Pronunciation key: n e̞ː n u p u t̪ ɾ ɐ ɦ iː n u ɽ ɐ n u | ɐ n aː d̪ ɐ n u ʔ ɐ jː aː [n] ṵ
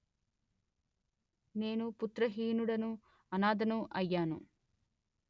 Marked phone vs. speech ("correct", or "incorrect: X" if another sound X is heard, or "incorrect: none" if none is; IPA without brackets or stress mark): correct